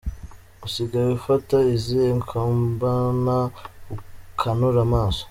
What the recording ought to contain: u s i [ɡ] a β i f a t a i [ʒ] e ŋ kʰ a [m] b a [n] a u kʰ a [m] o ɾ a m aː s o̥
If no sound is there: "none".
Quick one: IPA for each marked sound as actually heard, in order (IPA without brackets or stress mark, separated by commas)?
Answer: ɡ, z, m, n, n